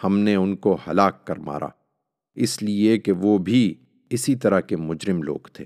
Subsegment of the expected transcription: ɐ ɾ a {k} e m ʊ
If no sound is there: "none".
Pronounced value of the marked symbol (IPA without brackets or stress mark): k